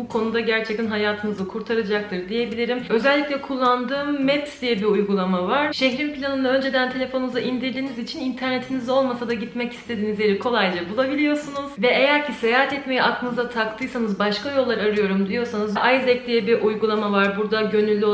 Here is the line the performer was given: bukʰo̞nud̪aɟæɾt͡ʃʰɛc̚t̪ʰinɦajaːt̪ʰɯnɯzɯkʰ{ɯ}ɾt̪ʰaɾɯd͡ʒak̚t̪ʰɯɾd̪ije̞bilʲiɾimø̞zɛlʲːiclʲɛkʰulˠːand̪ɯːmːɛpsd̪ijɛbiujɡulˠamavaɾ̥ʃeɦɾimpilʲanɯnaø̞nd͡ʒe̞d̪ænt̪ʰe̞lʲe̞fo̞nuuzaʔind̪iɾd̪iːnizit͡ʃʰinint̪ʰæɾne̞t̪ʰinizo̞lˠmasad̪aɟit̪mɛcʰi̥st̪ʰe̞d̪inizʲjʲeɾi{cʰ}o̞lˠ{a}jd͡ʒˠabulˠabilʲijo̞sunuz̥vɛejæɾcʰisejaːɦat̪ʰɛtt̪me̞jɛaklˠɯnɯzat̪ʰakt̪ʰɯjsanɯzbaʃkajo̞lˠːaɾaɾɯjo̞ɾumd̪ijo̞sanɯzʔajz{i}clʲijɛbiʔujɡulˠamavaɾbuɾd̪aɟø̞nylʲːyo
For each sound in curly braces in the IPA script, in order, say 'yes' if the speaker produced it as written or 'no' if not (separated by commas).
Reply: no, no, yes, no